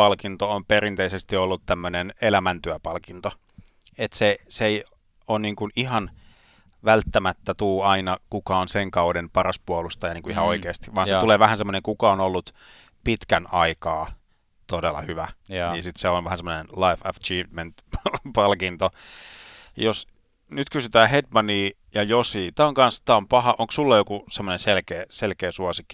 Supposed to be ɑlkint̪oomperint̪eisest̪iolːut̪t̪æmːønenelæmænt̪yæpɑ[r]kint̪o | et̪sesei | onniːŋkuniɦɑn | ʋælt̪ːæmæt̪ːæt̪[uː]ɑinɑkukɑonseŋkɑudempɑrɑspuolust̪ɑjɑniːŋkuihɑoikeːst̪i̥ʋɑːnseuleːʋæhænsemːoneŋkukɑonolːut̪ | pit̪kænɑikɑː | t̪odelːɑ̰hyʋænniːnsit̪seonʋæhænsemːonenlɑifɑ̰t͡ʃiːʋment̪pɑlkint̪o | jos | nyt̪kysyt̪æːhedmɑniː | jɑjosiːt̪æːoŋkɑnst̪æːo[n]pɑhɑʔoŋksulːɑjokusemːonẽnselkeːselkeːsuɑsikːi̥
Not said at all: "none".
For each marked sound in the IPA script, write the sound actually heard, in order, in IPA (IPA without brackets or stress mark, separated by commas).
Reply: l, uː, m